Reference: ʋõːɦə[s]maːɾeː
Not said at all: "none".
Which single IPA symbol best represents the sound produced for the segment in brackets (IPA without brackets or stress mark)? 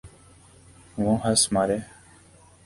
s